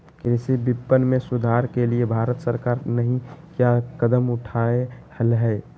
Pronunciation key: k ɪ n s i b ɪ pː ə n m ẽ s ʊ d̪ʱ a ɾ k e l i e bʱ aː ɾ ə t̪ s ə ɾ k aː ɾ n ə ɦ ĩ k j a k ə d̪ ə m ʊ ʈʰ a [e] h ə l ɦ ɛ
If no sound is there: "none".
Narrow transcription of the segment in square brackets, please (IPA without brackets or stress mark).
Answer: e